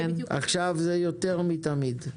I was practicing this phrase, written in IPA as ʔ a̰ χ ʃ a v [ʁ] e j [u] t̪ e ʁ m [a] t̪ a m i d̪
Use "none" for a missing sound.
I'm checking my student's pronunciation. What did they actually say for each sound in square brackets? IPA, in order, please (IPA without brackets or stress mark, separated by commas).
z, o, i